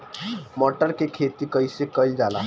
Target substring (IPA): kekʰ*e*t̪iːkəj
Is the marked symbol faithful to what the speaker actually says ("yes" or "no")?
yes